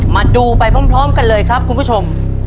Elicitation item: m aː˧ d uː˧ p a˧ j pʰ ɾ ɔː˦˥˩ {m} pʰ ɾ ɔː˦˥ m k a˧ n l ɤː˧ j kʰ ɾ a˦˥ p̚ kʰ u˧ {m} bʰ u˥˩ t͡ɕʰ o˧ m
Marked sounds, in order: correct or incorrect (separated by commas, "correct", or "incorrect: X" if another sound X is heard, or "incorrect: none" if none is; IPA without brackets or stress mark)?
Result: correct, incorrect: n